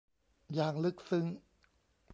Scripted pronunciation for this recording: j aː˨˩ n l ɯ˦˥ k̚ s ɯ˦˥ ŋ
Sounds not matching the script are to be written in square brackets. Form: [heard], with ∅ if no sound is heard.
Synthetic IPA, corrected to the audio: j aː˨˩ [ŋ] l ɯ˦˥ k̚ s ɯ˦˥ ŋ